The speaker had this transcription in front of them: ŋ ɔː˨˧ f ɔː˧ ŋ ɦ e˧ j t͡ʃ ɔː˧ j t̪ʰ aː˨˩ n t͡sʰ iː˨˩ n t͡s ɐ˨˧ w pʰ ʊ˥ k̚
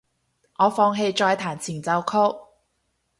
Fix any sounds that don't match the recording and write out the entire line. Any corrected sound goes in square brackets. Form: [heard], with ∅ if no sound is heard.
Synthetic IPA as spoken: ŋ ɔː˨˧ f ɔː˧ ŋ ɦ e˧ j t͡ʃ ɔː˧ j t̪ʰ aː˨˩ n t͡sʰ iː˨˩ n t͡s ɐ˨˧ w [kʰ] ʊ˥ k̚